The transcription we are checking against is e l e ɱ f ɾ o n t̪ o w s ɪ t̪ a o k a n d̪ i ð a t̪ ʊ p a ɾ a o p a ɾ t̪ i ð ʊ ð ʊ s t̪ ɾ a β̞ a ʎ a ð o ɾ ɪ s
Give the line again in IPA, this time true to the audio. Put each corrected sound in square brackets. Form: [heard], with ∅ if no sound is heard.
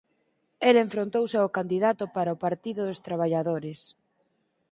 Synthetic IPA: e l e ɱ f ɾ o n t̪ o w s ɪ [∅] a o k a n d̪ i ð a t̪ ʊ p a ɾ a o p a ɾ t̪ i ð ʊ ð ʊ s t̪ ɾ a β̞ a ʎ a ð o ɾ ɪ s